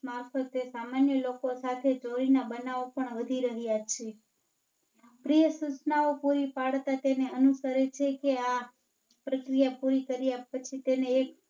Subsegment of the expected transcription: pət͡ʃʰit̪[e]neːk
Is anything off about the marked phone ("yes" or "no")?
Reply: no